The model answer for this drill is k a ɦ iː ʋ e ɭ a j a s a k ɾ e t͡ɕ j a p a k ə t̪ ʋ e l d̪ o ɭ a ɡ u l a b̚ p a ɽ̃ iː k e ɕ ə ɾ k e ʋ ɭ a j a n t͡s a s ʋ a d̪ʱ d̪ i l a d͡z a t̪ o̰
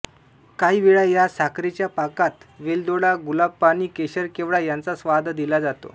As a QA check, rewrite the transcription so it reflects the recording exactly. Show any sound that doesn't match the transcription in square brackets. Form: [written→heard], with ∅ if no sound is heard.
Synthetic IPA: k a ɦ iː ʋ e ɭ a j a s a k ɾ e t͡ɕ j a p a k [ə→a] t̪ ʋ e l d̪ o [ɭ→ɽ] a ɡ u l a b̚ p a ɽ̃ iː k e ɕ ə ɾ k e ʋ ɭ a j a n t͡s a s ʋ a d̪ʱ d̪ i l a d͡z a t̪ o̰